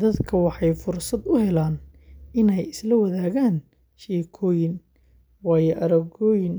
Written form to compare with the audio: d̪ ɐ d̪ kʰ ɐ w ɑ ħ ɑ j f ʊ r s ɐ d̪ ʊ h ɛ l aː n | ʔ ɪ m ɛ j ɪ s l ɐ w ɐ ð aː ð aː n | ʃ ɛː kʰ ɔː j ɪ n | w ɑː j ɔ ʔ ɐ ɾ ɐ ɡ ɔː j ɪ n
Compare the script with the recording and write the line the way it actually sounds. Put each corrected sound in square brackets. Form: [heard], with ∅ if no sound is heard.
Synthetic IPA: d̪ ɐ d̪ kʰ ɐ w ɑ ħ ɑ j f ʊ r s ɐ d̪ ʊ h ɛ l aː n | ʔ ɪ [n] ɛ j ɪ s l ɐ w ɐ ð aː [ɣ] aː n | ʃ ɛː kʰ ɔː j ɪ n | w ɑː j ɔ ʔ ɐ ɾ ɐ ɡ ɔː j ɪ n